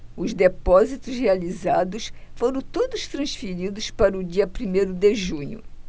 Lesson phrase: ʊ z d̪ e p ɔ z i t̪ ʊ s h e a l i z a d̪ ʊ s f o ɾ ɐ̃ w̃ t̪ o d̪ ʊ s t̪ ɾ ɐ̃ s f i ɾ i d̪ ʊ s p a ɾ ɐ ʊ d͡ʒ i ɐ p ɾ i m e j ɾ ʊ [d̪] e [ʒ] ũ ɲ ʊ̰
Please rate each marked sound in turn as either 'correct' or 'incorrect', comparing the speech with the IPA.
correct, correct

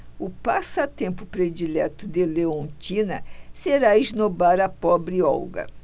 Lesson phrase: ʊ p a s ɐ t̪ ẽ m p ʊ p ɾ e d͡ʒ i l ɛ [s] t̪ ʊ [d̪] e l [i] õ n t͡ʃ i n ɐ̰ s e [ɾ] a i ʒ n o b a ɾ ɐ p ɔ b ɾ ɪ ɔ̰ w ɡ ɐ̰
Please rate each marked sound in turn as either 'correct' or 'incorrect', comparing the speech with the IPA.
incorrect, correct, incorrect, correct

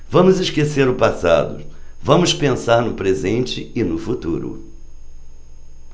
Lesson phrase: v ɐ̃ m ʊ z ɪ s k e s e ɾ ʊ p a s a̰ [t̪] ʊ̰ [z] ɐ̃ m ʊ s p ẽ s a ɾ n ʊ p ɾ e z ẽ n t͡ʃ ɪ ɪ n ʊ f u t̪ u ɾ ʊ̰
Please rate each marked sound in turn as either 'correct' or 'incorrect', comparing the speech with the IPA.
incorrect, incorrect

